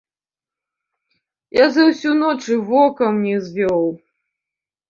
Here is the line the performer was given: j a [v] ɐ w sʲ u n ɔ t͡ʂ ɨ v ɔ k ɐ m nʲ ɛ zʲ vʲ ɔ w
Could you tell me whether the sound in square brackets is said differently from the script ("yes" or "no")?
yes